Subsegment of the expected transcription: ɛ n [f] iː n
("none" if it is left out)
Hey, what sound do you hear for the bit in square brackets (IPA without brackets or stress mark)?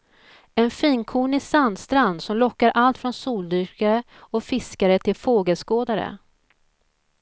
f